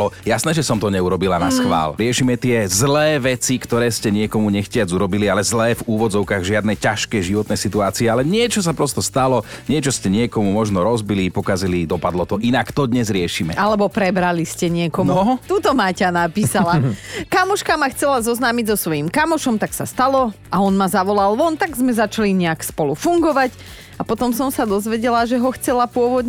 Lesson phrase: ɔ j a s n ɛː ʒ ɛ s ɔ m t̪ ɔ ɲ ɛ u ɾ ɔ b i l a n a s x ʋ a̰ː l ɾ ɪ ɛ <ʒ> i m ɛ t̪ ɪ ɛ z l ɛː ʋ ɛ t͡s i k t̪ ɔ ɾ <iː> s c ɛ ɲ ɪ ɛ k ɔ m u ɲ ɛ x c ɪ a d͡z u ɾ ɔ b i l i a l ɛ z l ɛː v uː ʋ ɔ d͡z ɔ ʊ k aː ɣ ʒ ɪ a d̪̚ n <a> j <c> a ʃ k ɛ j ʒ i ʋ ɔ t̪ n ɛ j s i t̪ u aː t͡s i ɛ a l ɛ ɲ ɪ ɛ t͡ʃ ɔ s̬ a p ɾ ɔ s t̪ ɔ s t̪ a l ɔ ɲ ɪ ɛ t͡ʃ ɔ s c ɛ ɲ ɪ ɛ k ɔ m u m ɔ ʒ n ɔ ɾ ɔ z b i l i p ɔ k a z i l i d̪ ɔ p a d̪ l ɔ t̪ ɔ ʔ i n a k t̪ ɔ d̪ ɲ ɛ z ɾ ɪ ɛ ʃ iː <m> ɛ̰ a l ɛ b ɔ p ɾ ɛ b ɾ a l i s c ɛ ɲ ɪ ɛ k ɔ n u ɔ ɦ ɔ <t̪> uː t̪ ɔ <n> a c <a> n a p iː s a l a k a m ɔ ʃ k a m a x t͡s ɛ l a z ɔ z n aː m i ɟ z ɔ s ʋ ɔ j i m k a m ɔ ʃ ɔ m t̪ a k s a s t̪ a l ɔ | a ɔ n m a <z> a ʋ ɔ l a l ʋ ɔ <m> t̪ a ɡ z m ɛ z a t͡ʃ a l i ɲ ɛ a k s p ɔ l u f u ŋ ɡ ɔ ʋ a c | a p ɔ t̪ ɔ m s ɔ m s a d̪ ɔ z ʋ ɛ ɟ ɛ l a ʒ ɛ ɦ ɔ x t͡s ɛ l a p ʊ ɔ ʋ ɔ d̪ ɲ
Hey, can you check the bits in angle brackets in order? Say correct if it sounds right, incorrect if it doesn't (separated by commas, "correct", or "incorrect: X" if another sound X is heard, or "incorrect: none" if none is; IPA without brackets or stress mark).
incorrect: ʃ, incorrect: ɛː, incorrect: ɛ, correct, correct, correct, incorrect: m, correct, correct, incorrect: n